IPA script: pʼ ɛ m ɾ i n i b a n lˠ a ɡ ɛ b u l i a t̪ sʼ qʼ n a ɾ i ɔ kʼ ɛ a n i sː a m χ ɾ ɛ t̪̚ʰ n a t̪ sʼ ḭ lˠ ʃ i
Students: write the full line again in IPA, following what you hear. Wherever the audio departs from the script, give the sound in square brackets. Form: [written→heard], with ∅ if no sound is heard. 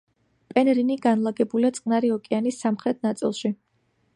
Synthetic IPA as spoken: pʼ ɛ [m→n] ɾ i n i [b→ɡ] a n lˠ a ɡ ɛ b u l i a t̪ sʼ qʼ n a ɾ i ɔ kʼ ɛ a n i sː a m χ ɾ ɛ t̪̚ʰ n a t̪ sʼ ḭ lˠ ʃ i

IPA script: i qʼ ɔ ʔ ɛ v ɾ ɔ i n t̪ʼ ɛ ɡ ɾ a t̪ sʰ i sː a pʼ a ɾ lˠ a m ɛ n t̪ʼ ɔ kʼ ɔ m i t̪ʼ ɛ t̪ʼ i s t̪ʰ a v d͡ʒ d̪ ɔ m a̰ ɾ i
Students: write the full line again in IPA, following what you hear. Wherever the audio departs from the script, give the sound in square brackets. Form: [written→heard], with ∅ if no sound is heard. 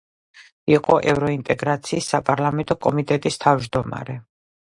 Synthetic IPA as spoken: i qʼ ɔ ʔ ɛ v ɾ ɔ i n t̪ʼ ɛ ɡ ɾ a t̪ sʰ [i→iː] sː a pʼ a ɾ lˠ a m ɛ n t̪ʼ ɔ kʼ ɔ m i t̪ʼ ɛ t̪ʼ i s t̪ʰ a v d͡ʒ d̪ ɔ m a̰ ɾ [i→ɛ]

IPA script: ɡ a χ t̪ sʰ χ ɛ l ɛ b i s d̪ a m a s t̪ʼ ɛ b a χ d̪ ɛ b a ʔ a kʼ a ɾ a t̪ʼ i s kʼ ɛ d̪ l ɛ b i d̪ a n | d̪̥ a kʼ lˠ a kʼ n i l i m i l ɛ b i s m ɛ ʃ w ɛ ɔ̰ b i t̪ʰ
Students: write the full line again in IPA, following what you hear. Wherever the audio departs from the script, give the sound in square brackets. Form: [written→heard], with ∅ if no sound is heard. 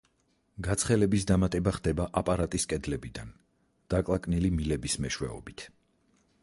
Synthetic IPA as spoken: ɡ a [χ→∅] t̪ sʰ χ ɛ l ɛ b i s d̪ a m a [s→∅] t̪ʼ ɛ b a χ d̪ ɛ b a ʔ a [kʼ→pʼ] a ɾ a t̪ʼ i s kʼ ɛ d̪ l ɛ b i d̪ a n | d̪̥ a kʼ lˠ a kʼ n i l i m i l ɛ b i s m ɛ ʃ w ɛ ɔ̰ b i t̪ʰ

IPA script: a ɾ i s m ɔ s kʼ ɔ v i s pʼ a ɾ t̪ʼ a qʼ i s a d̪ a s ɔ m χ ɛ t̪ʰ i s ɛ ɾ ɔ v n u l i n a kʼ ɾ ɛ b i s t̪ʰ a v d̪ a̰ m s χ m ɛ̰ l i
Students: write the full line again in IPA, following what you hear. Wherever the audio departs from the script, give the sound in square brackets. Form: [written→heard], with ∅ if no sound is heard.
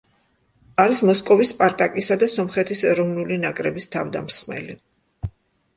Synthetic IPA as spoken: a ɾ i s m ɔ s kʼ ɔ v i s pʼ a ɾ t̪ʼ a [qʼ→kʼ] i s a d̪ a s ɔ m χ ɛ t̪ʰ i s ɛ ɾ ɔ v n u l i n a kʼ ɾ ɛ b i s t̪ʰ a v d̪ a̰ m s χ m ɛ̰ l i

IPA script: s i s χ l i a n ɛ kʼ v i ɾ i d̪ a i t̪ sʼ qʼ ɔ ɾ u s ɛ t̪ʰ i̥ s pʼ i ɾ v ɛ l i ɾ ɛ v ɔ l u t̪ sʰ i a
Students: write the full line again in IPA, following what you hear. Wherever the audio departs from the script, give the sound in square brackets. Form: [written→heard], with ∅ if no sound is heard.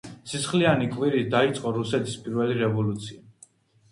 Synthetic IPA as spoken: s i s χ l i a n [ɛ→i] kʼ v i ɾ i d̪ a i t̪ sʼ qʼ ɔ ɾ u s ɛ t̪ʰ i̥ s pʼ i ɾ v ɛ l i ɾ ɛ v ɔ l u t̪ sʰ i a

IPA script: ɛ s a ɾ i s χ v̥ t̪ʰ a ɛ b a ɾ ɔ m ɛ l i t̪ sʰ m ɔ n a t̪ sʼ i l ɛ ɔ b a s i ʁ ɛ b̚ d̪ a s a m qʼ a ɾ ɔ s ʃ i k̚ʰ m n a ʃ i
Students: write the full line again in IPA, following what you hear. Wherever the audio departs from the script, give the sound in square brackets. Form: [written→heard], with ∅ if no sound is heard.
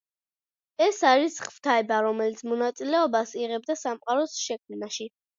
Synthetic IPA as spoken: ɛ s a ɾ i s χ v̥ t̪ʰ a ɛ b a ɾ ɔ m ɛ l i t̪ sʰ m ɔ n a t̪ sʼ i l ɛ ɔ b a s i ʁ ɛ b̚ d̪ a s a m qʼ a ɾ ɔ s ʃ [i→ɛ] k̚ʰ m n a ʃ i

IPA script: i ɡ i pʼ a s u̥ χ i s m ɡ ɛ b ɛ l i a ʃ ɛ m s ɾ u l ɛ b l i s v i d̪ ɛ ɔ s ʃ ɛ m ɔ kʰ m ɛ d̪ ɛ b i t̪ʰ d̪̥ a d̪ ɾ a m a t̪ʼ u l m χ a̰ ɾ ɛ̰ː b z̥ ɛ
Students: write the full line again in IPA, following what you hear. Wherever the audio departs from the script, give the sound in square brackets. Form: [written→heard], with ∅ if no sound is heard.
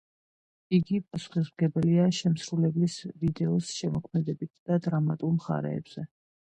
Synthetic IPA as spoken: i ɡ i pʼ a s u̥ χ i s m ɡ ɛ b ɛ l i a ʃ ɛ m s ɾ u l ɛ b l i s v i d̪ ɛ ɔ s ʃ ɛ m ɔ kʰ m ɛ d̪ ɛ b i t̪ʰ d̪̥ a d̪ ɾ a m a t̪ʼ u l m χ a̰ ɾ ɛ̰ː b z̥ ɛ

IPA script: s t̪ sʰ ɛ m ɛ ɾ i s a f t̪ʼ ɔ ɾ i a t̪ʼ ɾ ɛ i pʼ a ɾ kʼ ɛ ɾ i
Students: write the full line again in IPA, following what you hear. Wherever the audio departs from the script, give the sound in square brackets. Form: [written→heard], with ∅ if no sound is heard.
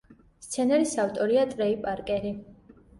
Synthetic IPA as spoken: s t̪ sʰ ɛ [m→n] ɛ ɾ i s a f t̪ʼ ɔ ɾ i a t̪ʼ ɾ ɛ i pʼ a ɾ kʼ ɛ ɾ i

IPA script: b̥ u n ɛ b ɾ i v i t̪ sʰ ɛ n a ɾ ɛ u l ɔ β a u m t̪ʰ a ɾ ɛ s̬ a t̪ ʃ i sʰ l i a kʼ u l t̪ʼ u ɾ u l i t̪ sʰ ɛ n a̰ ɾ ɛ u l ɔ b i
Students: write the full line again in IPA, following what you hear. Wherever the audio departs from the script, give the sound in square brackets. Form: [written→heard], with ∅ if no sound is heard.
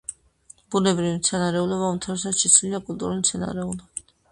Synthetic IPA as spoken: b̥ u n ɛ b ɾ i v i t̪ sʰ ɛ n a ɾ ɛ u l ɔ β a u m t̪ʰ a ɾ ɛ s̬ a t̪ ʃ i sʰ l i a kʼ u l t̪ʼ u ɾ u l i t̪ sʰ ɛ n a̰ ɾ ɛ u l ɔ b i

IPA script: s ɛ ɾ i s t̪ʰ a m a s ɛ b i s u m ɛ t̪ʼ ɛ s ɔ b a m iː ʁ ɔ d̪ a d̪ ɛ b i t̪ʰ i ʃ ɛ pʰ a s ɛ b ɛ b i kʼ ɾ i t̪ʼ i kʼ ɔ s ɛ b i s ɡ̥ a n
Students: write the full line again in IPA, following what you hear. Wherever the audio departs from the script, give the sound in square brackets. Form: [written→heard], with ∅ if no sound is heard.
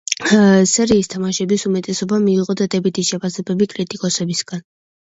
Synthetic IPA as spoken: s ɛ ɾ [i→iː] s t̪ʰ a m a [s→ʃ] ɛ b i s u m ɛ t̪ʼ ɛ s ɔ b a m iː ʁ ɔ d̪ a d̪ ɛ b i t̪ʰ i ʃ ɛ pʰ a s ɛ b ɛ b i kʼ ɾ i t̪ʼ i kʼ ɔ s ɛ b i s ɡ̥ a n

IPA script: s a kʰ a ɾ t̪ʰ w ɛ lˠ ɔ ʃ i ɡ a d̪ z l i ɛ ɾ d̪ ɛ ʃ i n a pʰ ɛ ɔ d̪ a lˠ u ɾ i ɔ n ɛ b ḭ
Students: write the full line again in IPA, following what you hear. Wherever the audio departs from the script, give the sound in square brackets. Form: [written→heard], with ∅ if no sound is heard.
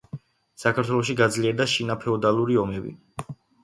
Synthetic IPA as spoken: s a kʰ a ɾ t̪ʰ w ɛ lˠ ɔ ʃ i ɡ a d̪ z l i ɛ ɾ d̪ [ɛ→a] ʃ i n a pʰ ɛ ɔ d̪ a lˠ u ɾ i ɔ [n→m] ɛ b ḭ

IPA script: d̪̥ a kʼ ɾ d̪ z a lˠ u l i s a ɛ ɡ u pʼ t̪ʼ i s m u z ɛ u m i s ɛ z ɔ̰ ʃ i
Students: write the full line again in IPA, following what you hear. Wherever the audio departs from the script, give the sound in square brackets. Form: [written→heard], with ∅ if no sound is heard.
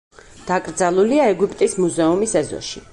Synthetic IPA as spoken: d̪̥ a kʼ ɾ d̪ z a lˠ u l i [s→∅] a ɛ ɡ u pʼ t̪ʼ i s m u z ɛ u m i s ɛ z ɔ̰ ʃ i

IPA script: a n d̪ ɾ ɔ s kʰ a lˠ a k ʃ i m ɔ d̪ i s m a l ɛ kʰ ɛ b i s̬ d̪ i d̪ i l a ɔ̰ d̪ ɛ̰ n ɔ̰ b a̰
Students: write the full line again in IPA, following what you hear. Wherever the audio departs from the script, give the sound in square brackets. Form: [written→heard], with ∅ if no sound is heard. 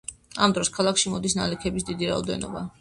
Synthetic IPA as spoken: a [n→m] d̪ ɾ ɔ s kʰ a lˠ a k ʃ i m ɔ d̪ i s [m→n] a l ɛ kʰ ɛ b i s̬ d̪ i d̪ i [l→ɾ] a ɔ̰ d̪ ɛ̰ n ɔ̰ b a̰

